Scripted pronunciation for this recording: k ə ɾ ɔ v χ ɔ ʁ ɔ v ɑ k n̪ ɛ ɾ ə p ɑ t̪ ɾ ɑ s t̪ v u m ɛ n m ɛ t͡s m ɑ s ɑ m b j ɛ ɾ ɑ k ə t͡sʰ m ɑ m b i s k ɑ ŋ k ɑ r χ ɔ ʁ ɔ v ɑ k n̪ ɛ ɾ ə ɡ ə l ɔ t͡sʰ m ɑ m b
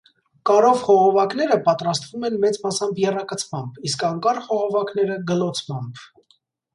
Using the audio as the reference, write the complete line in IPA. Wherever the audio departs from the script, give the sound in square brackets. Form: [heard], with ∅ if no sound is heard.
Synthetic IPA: k [ɑ] ɾ ɔ v χ ɔ ʁ ɔ v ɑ k n̪ ɛ ɾ ə p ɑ t̪ ɾ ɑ s t̪ v u m ɛ n m ɛ t͡s m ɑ s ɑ m b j ɛ [r] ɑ k ə t͡sʰ m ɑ m b i s k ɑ ŋ k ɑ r χ ɔ ʁ ɔ v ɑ k n̪ ɛ ɾ ə ɡ ə l ɔ t͡sʰ m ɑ m b